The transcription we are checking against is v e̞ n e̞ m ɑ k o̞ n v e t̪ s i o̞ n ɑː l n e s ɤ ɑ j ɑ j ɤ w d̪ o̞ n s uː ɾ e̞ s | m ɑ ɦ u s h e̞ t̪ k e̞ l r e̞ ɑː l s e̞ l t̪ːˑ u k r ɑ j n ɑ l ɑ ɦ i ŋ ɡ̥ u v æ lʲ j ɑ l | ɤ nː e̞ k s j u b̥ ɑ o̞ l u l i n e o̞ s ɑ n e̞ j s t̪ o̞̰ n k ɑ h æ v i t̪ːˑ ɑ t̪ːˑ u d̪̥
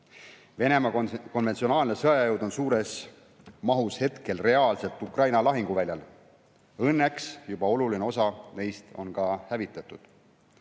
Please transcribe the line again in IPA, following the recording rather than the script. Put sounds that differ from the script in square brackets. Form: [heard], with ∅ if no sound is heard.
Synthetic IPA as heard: v e̞ n e̞ m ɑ k o̞ n v e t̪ s i o̞ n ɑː l n e s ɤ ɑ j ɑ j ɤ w d̪ o̞ n s uː ɾ e̞ s | m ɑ ɦ u s h e̞ t̪ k e̞ l r e̞ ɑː l s e̞ l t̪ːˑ u k r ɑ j n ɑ l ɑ ɦ i ŋ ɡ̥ u v æ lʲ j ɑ l | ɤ nː e̞ k s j u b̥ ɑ o̞ l u l i n e o̞ s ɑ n e̞ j s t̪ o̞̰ n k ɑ h æ v i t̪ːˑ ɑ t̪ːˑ u d̪̥